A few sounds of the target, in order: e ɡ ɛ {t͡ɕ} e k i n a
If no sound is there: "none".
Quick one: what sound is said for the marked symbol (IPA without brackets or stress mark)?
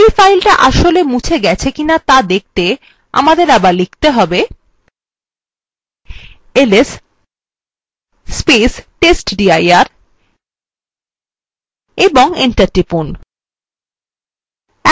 t͡ɕʰ